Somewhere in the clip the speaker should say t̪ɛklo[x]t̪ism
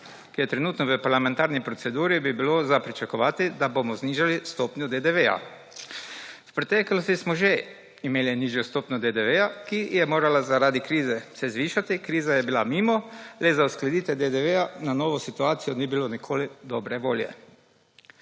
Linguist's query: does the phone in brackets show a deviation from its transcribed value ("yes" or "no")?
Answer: yes